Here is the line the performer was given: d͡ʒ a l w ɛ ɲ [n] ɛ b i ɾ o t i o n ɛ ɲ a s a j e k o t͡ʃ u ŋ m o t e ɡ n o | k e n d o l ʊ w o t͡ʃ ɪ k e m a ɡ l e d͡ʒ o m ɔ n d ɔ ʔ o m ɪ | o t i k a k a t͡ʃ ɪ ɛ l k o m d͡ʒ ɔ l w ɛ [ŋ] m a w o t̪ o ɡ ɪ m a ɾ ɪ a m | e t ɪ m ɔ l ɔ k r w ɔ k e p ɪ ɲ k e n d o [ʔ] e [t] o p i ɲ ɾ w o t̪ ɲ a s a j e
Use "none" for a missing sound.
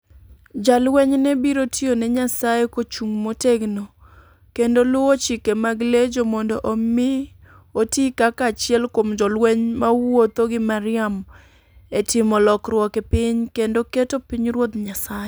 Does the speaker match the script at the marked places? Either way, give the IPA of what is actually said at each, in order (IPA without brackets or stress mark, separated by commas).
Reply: n, ɲ, k, t